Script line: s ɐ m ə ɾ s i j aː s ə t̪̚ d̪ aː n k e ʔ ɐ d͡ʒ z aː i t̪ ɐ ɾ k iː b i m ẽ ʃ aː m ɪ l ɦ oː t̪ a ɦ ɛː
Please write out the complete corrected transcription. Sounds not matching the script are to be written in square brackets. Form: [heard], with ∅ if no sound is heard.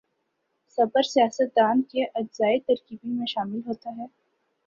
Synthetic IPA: s ɐ [b] ə ɾ s i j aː s ə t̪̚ d̪ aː n k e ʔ ɐ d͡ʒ z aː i t̪ ɐ ɾ k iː b i m ẽ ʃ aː m ɪ l ɦ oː t̪ a ɦ ɛː